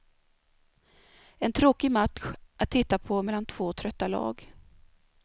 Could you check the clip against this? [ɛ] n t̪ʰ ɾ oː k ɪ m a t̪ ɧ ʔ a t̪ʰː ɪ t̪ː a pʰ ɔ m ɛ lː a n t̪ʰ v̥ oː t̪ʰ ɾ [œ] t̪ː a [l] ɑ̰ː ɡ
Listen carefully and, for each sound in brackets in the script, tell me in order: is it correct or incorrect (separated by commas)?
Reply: correct, correct, correct